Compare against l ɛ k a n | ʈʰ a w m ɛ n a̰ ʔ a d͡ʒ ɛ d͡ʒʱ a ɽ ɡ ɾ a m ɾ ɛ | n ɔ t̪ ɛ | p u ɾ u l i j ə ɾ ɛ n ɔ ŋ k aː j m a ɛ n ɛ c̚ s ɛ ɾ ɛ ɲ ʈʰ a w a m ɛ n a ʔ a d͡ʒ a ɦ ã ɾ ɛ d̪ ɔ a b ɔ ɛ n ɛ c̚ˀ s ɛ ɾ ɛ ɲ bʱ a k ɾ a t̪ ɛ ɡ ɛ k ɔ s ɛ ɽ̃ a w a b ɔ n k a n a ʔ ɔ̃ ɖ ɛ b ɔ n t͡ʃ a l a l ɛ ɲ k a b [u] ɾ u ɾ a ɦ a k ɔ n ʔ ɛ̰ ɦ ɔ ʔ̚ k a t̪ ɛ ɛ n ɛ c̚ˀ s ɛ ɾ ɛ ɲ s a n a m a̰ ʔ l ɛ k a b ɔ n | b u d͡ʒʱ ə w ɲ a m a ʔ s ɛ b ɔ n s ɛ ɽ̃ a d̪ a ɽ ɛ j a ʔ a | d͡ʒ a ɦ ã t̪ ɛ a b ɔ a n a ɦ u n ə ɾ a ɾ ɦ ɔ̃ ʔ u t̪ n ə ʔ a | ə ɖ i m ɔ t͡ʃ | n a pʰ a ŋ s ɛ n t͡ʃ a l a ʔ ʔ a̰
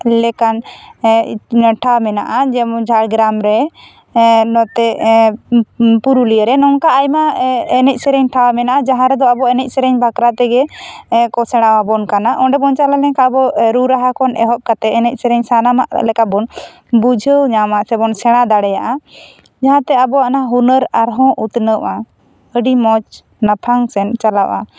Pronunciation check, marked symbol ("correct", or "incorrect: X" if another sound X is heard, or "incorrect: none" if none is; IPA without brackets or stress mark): incorrect: ɔ